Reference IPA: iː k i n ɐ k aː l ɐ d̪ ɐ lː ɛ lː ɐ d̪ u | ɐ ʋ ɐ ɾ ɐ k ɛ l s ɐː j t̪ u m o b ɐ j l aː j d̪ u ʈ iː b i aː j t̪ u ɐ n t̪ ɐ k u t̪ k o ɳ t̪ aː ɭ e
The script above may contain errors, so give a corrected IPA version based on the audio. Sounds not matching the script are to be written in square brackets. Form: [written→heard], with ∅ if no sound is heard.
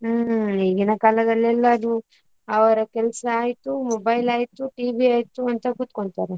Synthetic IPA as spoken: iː [k→ɡ] i n ɐ k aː l ɐ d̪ ɐ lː ɛ lː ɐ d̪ u | ɐ ʋ ɐ ɾ ɐ k ɛ l s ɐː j t̪ u m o b ɐ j l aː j [d̪→t̪] u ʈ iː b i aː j t̪ u ɐ n t̪ ɐ k u t̪ k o ɳ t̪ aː [ɭ→ɾ] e